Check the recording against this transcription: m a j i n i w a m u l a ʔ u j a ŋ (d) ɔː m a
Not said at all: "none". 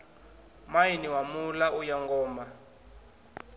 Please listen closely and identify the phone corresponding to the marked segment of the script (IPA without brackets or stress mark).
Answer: ɡ